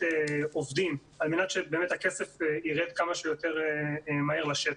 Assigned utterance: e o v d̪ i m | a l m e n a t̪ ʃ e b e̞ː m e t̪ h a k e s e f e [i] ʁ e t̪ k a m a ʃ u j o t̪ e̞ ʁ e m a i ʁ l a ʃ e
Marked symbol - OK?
yes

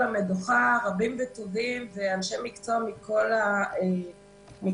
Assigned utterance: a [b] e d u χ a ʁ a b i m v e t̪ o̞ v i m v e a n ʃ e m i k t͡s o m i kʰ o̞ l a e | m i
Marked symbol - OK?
no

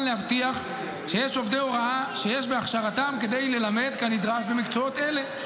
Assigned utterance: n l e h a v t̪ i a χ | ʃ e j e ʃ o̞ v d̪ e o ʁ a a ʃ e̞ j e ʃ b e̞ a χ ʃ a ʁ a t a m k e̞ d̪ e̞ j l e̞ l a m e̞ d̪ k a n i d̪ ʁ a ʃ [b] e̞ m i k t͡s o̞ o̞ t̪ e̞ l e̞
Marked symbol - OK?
yes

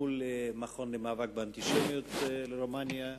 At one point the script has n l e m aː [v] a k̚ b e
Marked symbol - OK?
yes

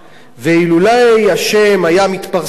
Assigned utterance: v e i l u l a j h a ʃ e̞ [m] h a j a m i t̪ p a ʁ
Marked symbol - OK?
yes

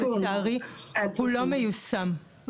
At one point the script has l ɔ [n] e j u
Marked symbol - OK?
no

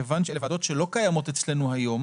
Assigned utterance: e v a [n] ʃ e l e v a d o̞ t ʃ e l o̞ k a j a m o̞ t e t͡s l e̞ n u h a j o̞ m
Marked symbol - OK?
yes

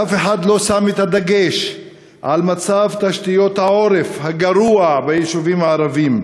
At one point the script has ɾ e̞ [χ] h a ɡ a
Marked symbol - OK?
no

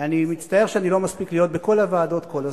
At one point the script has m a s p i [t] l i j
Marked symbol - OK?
no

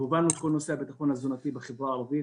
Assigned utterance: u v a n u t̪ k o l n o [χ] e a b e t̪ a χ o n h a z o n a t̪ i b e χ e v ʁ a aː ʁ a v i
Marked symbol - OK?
no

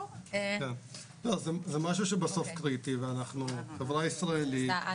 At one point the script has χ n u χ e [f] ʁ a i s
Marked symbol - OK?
no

